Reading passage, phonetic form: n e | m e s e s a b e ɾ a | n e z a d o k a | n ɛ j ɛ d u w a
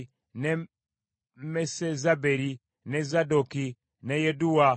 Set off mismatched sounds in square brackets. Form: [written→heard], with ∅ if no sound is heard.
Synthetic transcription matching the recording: n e | m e s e [s→z] a b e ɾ [a→i] | n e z a d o k [a→i] | n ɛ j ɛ d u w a